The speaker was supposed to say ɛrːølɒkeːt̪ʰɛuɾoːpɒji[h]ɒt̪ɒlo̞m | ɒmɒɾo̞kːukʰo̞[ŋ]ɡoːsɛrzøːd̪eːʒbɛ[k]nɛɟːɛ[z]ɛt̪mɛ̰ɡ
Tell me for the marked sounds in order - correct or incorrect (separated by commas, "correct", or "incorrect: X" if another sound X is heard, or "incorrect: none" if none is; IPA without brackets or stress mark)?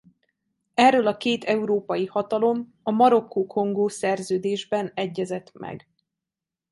correct, correct, incorrect: none, correct